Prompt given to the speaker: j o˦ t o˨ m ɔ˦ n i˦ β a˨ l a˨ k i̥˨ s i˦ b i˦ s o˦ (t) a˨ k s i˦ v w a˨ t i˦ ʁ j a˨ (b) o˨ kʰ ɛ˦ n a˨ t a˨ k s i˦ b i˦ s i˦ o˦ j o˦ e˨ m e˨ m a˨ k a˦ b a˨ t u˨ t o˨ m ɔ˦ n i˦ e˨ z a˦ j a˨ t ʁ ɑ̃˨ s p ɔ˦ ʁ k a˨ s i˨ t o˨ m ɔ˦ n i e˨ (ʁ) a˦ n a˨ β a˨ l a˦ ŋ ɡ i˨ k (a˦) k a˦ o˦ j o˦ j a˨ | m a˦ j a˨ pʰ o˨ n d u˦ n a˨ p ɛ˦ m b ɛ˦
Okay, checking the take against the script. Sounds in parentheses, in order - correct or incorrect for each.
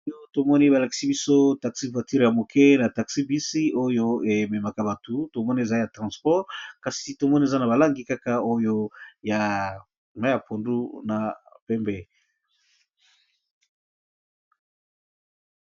correct, incorrect: m, incorrect: z, correct

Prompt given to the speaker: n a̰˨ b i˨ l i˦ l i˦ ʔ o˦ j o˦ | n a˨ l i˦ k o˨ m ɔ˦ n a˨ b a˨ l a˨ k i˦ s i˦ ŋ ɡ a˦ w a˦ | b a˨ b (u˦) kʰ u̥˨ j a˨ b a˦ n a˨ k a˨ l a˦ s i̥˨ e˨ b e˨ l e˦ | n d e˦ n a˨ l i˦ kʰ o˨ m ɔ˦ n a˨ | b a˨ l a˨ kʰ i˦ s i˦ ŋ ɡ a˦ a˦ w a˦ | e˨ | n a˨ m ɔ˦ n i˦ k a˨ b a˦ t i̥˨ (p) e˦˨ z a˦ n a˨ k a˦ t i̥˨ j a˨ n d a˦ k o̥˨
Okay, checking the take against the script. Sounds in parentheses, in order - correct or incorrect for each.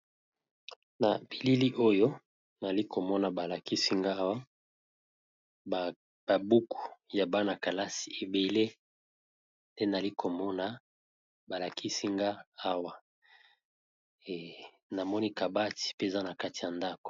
correct, correct

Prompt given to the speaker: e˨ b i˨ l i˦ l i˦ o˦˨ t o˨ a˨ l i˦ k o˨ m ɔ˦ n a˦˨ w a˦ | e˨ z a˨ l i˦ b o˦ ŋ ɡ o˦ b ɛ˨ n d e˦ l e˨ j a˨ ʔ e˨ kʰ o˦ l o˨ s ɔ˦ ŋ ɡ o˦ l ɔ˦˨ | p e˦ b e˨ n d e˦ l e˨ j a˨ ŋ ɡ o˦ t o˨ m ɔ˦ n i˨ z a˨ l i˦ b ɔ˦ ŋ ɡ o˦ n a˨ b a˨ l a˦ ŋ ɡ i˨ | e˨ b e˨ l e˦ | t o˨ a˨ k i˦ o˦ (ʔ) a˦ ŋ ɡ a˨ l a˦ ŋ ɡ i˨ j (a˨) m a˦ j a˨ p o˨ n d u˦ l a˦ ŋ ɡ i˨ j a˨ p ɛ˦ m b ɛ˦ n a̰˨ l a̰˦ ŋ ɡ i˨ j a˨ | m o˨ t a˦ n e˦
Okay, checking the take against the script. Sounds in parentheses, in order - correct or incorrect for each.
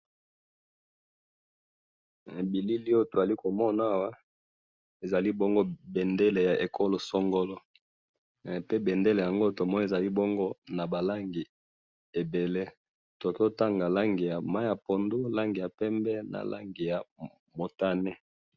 incorrect: t, correct

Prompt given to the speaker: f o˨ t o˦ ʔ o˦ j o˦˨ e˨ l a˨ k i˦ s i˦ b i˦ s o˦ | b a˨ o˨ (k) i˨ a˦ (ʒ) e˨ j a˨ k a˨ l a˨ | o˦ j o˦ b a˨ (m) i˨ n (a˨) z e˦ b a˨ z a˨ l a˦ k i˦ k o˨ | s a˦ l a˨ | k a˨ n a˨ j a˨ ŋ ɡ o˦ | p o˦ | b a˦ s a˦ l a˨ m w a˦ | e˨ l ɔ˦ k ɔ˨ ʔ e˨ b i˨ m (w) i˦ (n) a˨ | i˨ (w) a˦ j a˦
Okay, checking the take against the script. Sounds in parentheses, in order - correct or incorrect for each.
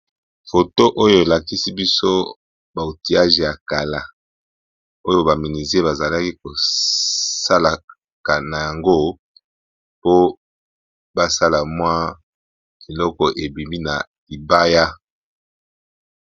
incorrect: t, correct, correct, incorrect: i˨, incorrect: b, correct, incorrect: b

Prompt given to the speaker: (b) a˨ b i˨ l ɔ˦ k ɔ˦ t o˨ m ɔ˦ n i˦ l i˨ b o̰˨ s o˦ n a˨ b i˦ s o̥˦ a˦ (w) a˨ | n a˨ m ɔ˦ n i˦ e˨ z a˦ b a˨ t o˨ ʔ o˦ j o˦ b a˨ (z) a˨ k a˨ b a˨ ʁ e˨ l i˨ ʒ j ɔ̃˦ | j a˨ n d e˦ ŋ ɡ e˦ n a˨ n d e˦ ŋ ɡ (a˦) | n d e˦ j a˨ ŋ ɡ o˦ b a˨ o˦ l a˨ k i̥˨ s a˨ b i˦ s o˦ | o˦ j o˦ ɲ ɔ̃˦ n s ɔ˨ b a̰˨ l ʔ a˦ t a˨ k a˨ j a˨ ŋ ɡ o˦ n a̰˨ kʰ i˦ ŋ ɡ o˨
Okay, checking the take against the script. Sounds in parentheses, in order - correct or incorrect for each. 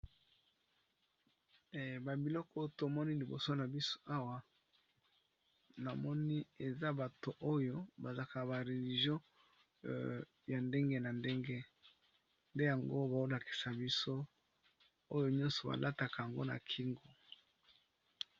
correct, correct, correct, incorrect: e˦

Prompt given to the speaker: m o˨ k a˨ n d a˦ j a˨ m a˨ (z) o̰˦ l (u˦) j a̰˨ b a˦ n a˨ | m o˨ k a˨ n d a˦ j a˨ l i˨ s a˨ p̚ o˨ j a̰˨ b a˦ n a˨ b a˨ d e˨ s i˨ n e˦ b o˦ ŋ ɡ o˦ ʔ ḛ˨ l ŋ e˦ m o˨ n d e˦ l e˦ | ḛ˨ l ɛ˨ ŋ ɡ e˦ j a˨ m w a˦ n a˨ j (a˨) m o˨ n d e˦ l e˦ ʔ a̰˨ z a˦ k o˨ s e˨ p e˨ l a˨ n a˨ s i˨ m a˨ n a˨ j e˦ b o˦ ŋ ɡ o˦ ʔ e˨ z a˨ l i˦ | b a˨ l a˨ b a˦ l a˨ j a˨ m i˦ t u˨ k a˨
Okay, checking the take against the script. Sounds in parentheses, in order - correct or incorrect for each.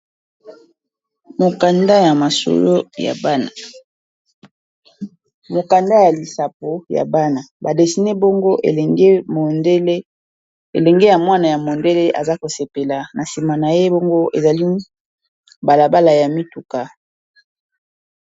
incorrect: s, incorrect: o˦, correct

